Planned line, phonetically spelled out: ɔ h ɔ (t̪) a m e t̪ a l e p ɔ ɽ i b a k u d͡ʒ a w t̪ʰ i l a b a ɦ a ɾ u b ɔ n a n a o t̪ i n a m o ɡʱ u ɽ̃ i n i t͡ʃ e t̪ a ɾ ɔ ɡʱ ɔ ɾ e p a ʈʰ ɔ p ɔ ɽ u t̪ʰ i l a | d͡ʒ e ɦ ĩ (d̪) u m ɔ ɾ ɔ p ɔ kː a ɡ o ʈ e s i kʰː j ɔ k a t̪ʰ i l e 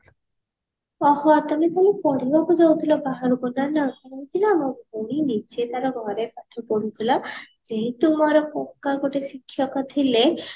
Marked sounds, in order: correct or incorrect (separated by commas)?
correct, incorrect